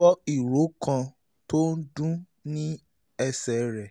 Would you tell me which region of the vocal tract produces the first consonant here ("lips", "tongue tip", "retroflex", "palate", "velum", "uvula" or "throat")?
tongue tip